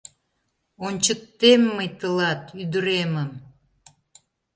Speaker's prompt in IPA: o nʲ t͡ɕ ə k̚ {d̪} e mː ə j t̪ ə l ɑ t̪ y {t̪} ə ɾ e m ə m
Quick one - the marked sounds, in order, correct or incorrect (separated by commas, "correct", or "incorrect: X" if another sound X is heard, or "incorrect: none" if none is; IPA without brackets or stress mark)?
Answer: incorrect: t̪, incorrect: d̪